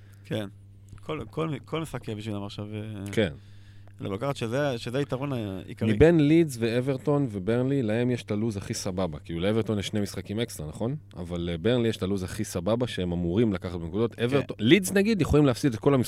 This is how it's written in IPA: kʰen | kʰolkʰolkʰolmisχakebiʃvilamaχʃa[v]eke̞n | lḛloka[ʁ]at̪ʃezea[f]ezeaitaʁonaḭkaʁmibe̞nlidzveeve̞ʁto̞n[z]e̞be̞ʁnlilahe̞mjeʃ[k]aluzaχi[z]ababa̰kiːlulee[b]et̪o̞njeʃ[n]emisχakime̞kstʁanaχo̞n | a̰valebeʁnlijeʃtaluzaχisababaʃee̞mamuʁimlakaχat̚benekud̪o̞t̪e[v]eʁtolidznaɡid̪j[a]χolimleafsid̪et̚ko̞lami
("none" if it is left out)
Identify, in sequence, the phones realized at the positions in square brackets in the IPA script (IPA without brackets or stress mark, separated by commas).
v, χ, ʃ, v, t, s, v, n, v, e